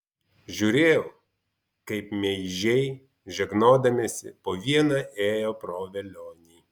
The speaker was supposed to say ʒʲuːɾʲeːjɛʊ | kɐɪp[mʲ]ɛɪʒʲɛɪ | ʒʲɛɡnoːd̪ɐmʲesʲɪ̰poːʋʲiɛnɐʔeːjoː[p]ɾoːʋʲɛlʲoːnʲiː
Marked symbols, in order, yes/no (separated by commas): yes, yes